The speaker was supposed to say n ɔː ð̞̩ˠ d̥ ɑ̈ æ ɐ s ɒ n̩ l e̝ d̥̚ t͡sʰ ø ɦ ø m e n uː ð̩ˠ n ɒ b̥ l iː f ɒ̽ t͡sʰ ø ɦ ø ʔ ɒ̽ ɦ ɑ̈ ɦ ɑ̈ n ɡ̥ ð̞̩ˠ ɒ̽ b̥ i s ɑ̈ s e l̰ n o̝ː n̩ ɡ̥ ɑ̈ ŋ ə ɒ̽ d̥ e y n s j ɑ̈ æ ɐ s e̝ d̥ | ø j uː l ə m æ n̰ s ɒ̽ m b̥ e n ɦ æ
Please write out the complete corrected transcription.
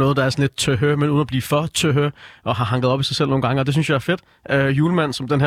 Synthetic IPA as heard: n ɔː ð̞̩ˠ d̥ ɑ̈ æ ɐ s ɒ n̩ l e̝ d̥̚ t͡sʰ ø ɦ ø m e n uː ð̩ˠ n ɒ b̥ l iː f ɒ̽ t͡sʰ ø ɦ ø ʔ ɒ̽ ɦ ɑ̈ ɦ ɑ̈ ŋ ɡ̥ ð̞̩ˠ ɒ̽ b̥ i s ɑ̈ s e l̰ n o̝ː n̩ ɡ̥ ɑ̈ ŋ ə ɒ̽ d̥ e y n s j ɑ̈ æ ɐ f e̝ d̥ | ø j uː l ə m æ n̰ s ɒ̽ m d̥ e n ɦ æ